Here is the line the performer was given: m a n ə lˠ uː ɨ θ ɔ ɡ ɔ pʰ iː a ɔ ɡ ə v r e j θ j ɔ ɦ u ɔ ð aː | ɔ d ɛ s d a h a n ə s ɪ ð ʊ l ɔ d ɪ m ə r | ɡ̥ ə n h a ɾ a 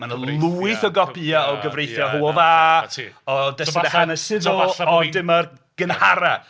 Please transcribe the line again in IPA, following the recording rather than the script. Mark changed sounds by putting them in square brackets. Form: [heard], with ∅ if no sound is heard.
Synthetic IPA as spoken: m a n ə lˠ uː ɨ θ ɔ ɡ ɔ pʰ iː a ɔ ɡ ə v r e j θ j ɔ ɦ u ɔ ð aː | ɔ d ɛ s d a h a n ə s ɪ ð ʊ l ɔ d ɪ m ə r | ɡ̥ ə n h a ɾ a